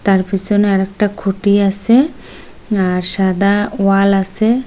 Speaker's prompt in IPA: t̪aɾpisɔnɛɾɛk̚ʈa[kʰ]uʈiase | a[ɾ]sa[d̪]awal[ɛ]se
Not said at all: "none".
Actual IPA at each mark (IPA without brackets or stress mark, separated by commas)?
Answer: kʰ, ɾ, d̪, a